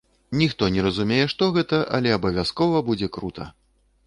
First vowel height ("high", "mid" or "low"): high